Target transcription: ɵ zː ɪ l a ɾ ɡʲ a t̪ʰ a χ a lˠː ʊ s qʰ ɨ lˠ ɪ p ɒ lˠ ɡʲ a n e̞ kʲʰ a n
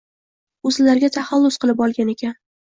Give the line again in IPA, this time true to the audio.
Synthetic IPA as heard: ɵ z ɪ l a ɾ ɡʲ a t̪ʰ a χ a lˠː ʊ s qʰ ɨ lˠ ɪ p ɒ lˠ ɡʲ a n e̞ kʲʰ a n